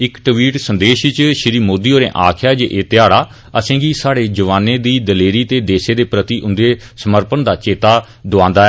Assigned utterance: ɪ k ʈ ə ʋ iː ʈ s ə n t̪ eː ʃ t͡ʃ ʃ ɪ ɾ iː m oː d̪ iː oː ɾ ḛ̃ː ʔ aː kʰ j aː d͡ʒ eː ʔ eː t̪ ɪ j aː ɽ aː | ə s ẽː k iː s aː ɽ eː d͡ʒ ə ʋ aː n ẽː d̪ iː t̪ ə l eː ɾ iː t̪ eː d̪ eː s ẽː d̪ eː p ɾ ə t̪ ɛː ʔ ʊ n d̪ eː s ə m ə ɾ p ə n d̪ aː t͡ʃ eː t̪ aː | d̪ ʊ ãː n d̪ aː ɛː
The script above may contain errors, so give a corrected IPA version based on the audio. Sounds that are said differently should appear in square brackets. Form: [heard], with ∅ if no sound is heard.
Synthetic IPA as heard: ɪ k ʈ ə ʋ iː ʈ s ə n [d̪] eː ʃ t͡ʃ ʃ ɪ ɾ iː m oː d̪ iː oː ɾ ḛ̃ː ʔ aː kʰ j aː d͡ʒ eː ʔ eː t̪ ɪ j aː ɽ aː | ə s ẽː [ɡ] iː s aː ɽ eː d͡ʒ ə ʋ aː n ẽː d̪ iː [d̪] ə l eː ɾ iː t̪ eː d̪ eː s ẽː d̪ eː p ɾ ə t̪ [iː] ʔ ʊ n d̪ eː s ə m ə ɾ p ə n d̪ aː t͡ʃ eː t̪ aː | d̪ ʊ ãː n d̪ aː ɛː